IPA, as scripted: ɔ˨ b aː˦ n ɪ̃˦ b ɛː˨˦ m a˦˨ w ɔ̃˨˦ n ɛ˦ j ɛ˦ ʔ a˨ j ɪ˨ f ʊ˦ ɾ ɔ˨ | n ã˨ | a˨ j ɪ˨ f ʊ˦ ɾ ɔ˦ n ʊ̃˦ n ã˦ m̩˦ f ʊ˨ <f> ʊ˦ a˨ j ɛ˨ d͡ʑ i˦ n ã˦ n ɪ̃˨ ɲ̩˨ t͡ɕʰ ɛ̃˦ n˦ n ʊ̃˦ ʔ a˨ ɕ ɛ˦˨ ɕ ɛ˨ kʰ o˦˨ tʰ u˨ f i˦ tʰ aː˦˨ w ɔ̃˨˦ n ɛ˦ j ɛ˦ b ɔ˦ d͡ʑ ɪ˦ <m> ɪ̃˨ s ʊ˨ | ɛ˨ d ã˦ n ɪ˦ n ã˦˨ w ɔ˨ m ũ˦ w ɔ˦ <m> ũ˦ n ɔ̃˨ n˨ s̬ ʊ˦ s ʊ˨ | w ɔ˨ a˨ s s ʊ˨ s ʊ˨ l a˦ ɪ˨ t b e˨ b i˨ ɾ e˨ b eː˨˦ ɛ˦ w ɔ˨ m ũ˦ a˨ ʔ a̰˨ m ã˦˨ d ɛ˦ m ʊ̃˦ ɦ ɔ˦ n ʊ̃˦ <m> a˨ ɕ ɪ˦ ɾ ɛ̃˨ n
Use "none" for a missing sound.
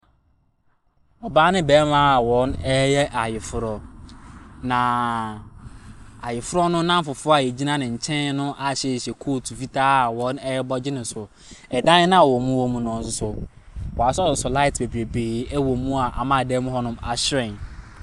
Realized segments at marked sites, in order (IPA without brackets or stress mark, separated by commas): f, n, m, m